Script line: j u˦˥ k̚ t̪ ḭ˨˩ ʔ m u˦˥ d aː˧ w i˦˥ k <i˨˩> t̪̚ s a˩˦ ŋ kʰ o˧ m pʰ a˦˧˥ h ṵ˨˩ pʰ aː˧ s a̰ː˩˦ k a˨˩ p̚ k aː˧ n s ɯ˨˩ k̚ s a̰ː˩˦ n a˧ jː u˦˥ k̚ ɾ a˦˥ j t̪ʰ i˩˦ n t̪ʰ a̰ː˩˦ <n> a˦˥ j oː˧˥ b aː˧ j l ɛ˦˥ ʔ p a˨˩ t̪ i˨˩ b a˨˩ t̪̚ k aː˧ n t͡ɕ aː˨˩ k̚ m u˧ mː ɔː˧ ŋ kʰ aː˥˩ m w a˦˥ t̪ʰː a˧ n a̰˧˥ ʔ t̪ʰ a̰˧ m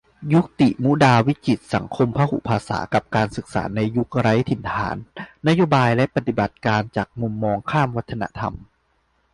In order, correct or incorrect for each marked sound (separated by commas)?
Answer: correct, incorrect